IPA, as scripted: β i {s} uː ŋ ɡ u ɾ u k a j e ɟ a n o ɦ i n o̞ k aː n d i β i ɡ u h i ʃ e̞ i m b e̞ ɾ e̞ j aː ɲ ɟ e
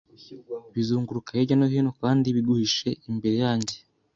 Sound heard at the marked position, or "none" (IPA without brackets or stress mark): z